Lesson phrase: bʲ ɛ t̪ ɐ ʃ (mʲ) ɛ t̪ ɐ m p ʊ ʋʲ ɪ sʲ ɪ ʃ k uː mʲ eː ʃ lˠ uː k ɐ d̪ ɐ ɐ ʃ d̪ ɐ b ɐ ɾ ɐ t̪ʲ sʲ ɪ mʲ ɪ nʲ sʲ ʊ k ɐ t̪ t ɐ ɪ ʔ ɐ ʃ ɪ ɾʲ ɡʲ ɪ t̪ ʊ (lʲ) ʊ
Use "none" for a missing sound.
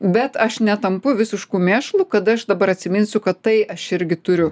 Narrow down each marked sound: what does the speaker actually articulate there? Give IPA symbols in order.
nʲ, ɾʲ

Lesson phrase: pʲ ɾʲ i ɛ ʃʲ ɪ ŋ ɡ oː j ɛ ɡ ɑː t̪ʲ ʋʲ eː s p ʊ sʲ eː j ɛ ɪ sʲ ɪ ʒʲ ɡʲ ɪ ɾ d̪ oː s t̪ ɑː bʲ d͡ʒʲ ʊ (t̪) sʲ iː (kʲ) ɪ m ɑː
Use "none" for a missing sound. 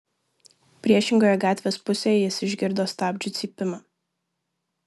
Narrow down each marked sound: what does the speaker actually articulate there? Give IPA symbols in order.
t̪, pʲ

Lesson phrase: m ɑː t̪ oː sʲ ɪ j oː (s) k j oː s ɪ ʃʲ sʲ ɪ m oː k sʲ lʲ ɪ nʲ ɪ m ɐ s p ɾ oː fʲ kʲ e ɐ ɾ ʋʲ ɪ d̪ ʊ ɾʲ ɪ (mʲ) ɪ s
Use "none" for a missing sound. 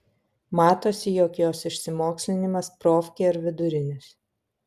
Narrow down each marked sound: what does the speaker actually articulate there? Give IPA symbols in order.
none, nʲ

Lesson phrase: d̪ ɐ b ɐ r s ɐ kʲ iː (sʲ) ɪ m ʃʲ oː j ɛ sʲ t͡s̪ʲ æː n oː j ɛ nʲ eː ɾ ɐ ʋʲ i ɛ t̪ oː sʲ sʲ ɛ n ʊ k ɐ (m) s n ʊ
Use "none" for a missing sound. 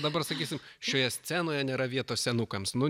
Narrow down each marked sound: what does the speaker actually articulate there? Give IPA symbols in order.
sʲ, m

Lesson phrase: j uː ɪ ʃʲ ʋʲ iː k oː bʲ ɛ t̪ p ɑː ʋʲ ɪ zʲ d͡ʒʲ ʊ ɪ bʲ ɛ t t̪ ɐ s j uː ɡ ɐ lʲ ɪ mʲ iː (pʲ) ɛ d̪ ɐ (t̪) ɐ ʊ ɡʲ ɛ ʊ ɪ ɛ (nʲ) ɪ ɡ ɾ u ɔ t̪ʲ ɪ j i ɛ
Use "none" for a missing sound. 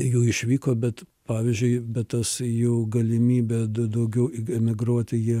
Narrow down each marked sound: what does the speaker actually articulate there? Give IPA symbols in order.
bʲ, d̪, mʲ

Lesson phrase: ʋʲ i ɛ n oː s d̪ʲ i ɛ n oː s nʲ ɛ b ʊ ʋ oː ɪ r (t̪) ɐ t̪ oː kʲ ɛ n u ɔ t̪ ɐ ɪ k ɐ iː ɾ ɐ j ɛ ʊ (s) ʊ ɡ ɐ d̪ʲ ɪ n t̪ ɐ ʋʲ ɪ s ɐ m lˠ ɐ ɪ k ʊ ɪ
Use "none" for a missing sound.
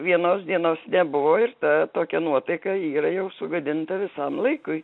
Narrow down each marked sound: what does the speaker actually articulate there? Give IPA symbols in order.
t̪, s

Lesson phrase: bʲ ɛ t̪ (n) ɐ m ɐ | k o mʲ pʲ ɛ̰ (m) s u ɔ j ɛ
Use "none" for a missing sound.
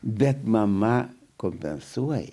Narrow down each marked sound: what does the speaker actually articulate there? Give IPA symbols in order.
m, n

